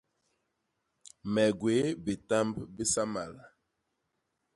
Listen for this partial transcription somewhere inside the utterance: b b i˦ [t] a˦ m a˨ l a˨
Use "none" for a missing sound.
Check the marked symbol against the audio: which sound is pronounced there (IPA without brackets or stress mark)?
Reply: s